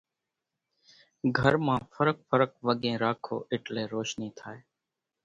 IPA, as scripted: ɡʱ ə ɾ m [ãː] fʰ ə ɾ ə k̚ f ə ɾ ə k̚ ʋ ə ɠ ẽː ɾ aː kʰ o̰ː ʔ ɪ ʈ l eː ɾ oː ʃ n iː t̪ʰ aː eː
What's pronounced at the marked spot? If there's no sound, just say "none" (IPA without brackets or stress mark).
ãː